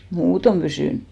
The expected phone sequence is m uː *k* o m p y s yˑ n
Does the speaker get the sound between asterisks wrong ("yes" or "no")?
yes